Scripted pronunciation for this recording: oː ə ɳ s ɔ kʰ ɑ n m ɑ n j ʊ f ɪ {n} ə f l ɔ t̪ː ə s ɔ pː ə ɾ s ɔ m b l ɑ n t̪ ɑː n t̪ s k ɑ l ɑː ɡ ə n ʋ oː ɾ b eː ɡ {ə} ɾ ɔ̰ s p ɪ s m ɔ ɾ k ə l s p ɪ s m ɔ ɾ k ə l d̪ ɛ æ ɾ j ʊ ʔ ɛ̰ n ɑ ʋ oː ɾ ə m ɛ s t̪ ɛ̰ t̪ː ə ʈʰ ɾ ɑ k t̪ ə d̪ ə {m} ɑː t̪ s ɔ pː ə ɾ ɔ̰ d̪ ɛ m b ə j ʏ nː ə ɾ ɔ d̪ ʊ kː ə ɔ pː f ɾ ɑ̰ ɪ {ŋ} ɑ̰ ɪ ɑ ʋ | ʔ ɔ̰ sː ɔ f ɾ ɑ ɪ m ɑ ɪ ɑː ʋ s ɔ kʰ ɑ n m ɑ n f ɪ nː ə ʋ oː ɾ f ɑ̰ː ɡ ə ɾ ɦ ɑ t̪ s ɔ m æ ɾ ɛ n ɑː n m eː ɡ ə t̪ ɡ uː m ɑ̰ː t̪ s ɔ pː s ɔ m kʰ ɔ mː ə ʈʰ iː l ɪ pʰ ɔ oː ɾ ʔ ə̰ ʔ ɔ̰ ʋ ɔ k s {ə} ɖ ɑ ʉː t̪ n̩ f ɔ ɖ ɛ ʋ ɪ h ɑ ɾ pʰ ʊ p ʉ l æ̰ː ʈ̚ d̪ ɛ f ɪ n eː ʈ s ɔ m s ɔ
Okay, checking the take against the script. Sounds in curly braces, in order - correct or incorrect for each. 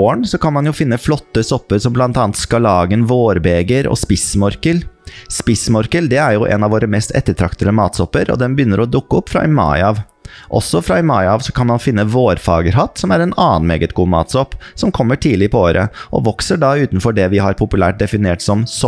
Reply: incorrect, correct, correct, incorrect, correct

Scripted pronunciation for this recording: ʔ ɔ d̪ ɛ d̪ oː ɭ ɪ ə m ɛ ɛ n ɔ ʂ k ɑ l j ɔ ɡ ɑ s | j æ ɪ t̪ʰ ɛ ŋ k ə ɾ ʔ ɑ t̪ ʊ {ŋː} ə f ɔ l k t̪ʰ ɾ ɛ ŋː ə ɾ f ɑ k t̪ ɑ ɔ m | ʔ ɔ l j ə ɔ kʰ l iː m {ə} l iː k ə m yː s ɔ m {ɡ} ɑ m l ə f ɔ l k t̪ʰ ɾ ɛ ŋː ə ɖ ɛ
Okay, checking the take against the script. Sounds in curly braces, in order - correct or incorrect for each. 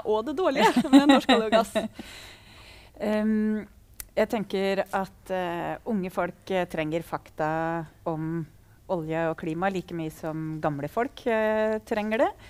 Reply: correct, incorrect, correct

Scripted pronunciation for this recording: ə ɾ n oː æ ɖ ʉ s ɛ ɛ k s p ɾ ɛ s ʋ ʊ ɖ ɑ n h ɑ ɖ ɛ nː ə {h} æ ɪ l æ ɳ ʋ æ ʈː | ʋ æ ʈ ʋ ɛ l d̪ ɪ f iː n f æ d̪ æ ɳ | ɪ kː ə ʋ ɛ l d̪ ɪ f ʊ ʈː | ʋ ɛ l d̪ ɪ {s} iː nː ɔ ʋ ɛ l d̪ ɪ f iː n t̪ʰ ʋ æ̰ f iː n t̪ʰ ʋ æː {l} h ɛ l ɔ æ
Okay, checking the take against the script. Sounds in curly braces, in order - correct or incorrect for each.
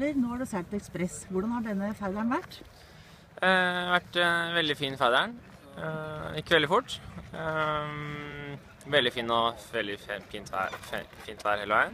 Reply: incorrect, incorrect, incorrect

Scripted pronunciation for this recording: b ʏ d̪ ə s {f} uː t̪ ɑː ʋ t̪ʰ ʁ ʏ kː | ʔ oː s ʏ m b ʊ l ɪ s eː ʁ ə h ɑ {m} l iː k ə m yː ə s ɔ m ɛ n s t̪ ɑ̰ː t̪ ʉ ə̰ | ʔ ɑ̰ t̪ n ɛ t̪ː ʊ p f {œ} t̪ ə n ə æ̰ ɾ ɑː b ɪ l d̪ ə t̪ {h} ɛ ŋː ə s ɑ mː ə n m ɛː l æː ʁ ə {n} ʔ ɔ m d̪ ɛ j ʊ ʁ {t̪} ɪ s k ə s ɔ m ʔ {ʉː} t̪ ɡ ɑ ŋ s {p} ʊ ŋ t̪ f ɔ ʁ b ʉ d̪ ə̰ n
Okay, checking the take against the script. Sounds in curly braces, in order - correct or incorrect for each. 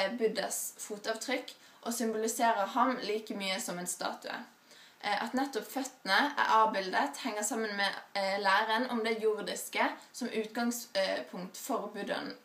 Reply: correct, correct, correct, correct, correct, incorrect, correct, incorrect

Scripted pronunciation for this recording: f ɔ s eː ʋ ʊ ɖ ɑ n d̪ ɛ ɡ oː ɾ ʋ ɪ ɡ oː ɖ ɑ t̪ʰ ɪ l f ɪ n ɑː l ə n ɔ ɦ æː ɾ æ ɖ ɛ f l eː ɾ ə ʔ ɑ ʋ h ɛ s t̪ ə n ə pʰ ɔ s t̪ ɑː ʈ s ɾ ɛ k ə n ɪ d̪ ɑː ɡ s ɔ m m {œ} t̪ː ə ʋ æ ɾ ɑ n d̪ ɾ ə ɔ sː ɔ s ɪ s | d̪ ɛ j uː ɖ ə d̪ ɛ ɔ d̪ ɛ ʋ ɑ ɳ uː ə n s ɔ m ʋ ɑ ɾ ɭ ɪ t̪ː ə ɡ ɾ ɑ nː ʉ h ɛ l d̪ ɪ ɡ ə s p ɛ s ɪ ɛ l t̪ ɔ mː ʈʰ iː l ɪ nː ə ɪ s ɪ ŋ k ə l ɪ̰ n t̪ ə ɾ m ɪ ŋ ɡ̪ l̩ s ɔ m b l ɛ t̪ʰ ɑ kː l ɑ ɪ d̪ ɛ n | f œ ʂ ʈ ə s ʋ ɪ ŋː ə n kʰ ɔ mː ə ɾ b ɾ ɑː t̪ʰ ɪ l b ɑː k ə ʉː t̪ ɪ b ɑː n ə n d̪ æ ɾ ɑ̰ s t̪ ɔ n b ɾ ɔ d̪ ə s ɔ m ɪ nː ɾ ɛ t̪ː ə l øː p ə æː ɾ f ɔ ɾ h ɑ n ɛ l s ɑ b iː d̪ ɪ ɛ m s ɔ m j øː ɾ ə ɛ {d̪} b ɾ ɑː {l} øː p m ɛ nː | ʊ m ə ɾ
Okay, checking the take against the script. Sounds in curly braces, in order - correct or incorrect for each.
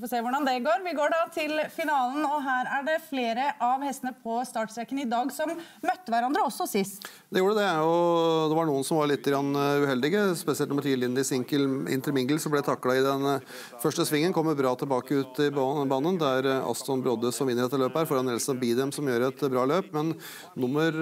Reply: correct, incorrect, correct

